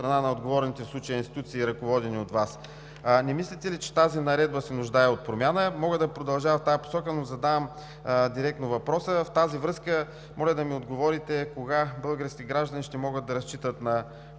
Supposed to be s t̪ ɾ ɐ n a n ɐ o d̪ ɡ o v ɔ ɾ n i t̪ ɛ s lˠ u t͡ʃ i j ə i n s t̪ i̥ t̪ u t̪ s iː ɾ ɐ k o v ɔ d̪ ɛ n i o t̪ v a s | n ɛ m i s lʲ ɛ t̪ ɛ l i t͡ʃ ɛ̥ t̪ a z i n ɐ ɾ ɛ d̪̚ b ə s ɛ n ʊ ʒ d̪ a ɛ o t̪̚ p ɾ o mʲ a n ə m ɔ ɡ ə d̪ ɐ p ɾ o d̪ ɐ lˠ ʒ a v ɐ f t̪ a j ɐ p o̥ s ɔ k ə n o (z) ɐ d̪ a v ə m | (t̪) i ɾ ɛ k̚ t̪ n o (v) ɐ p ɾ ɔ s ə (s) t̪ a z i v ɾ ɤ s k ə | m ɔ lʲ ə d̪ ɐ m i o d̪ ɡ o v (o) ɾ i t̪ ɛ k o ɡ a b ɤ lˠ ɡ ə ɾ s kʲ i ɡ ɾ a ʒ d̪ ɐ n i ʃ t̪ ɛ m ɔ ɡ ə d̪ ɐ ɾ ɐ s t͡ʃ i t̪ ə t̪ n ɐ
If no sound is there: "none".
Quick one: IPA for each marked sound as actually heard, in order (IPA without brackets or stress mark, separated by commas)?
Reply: z, d̪, v, f, ɔ